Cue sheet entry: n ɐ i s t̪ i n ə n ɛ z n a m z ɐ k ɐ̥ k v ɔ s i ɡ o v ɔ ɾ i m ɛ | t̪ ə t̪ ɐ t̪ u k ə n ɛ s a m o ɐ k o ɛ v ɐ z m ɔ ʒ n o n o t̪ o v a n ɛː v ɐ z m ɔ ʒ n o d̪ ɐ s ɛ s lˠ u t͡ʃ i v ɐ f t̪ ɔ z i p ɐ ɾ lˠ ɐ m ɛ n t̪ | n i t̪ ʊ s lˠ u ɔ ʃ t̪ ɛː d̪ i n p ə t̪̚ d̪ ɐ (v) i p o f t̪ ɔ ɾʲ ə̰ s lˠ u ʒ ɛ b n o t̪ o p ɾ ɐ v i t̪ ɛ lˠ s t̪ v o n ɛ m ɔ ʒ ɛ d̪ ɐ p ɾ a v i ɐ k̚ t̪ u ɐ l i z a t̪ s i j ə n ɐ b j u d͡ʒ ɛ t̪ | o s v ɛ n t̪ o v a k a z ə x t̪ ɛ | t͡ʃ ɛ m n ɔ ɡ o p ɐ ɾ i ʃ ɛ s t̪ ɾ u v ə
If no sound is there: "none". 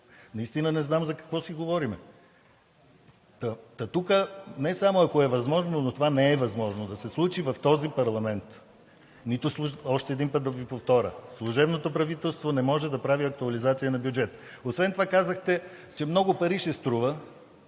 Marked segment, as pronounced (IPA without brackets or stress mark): v